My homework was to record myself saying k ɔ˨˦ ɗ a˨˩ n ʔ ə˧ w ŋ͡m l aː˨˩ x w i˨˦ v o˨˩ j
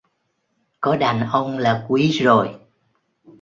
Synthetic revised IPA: k ɔ˨˦ ɗ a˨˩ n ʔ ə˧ w ŋ͡m l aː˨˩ k w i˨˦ z o˨˩ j